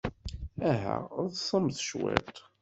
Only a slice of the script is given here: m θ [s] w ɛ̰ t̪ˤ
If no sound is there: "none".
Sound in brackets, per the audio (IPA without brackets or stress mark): ʃ